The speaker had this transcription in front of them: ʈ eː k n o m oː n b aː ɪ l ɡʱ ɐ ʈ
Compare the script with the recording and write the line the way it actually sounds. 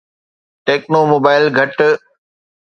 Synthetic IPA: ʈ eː k n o m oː b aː ɪ l ɡʱ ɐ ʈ